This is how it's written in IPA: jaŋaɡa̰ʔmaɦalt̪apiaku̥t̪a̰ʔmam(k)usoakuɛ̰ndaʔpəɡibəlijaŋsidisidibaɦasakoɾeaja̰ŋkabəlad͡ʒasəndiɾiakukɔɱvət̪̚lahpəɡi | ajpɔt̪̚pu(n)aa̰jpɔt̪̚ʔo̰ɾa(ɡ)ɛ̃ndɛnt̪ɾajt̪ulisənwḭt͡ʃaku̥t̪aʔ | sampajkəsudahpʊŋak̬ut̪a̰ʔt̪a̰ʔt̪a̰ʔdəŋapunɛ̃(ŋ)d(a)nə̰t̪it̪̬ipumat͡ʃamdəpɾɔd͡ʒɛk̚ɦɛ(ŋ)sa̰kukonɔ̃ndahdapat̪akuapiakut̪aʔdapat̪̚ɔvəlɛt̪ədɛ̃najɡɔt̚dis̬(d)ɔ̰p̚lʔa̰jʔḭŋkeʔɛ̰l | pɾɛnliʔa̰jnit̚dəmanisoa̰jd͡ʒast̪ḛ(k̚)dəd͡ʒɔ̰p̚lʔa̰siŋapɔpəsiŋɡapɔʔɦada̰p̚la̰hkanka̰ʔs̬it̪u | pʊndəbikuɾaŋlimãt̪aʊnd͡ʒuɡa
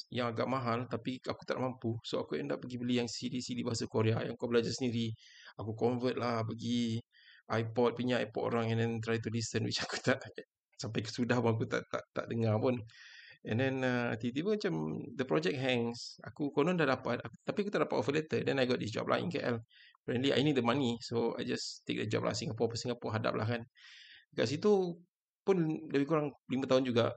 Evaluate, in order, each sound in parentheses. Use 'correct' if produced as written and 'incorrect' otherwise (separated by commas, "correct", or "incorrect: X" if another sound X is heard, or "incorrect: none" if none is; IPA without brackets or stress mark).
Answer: incorrect: p, incorrect: ɲ, incorrect: ŋ, incorrect: n, incorrect: ɛ, correct, incorrect: d͡ʒ, correct